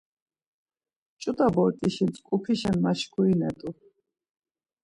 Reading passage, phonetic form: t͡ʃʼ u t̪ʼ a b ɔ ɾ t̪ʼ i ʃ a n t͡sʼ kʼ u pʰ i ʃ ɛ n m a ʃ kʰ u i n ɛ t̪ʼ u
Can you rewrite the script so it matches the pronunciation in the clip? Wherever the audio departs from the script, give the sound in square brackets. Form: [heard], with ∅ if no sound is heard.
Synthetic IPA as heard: t͡ʃʼ u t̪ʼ a b ɔ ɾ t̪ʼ i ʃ [i] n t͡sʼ kʼ u pʰ i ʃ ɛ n m a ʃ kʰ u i n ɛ t̪ʼ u